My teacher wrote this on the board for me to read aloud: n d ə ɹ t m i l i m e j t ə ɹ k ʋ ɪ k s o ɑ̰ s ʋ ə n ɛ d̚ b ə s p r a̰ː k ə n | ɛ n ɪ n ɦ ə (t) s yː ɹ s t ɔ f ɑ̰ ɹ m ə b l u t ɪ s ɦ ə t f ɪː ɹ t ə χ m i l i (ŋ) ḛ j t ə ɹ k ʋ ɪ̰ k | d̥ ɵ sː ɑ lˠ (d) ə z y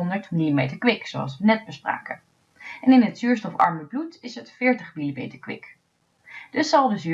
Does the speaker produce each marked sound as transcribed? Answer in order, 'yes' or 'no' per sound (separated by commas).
yes, no, yes